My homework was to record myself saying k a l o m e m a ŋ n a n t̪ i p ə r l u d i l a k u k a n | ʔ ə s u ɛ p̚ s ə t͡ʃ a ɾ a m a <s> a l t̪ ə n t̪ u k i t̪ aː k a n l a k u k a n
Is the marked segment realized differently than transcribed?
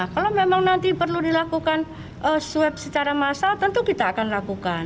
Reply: no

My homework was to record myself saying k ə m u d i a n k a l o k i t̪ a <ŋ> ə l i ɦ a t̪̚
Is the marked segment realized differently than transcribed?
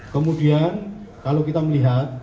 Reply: yes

